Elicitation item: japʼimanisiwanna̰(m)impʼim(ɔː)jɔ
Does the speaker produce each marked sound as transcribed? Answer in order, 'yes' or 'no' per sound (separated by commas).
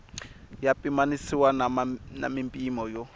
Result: yes, no